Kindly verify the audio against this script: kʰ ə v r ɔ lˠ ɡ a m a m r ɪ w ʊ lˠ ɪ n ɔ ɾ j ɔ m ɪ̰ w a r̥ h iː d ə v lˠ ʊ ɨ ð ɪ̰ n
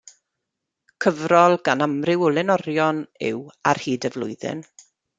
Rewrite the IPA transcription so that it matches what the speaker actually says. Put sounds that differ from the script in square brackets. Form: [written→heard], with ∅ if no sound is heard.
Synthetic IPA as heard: kʰ ə v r ɔ lˠ ɡ a [m→n] a m r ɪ w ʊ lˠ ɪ n ɔ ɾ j ɔ [m→n] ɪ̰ w a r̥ h iː d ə v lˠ ʊ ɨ ð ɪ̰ n